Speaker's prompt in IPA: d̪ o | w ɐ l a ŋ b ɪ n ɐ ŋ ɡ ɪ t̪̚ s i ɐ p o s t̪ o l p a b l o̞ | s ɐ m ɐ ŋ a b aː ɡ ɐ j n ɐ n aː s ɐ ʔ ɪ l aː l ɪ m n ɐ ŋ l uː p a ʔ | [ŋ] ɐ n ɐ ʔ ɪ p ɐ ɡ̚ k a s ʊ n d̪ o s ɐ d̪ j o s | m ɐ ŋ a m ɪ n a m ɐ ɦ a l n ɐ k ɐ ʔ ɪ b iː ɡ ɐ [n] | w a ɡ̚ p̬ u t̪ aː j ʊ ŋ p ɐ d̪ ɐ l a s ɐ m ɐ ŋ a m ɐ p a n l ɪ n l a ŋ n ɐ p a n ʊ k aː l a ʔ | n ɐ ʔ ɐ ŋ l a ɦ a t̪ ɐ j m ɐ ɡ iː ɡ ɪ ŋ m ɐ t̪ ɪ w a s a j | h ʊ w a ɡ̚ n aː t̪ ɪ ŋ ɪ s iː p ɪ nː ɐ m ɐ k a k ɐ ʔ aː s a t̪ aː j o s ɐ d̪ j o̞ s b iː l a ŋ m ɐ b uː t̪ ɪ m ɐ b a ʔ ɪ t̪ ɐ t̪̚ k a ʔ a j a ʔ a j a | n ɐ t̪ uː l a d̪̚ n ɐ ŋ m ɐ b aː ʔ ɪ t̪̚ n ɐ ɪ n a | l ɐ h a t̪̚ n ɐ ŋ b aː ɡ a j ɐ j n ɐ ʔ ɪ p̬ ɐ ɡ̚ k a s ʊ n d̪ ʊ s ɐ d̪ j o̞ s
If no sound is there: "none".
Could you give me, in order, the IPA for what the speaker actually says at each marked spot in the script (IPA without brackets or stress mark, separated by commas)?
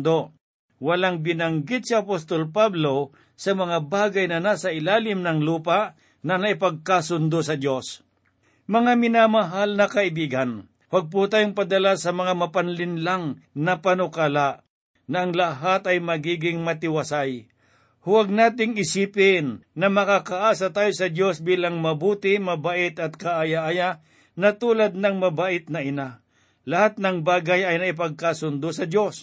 n, n